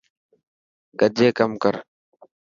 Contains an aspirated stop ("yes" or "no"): no